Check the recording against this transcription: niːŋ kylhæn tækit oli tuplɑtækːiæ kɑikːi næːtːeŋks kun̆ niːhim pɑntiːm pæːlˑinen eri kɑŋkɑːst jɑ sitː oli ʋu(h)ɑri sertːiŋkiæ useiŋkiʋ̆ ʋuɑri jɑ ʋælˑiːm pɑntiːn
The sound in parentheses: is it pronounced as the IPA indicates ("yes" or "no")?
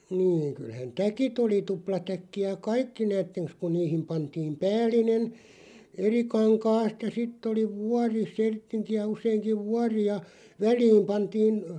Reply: no